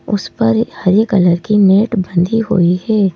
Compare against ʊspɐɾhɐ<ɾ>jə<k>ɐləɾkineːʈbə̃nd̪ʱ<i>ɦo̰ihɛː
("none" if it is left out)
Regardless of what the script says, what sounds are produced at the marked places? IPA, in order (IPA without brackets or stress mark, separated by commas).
ɾ, k, i